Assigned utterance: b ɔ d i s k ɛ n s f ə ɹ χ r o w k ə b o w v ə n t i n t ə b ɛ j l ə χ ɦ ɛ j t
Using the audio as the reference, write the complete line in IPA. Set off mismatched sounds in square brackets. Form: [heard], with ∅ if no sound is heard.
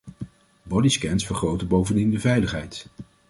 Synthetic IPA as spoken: b ɔ d i s k ɛ n s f ə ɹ χ r o w [t] ə b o w v ə n [d] i n [d] ə [v] ɛ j l ə χ ɦ ɛ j t